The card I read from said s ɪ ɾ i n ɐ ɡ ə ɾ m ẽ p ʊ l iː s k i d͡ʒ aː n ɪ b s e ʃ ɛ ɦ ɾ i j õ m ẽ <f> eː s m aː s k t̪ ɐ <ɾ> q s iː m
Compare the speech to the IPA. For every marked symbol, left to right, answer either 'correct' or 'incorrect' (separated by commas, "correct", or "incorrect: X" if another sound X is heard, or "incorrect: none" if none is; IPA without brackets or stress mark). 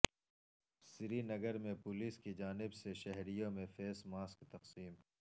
correct, incorrect: none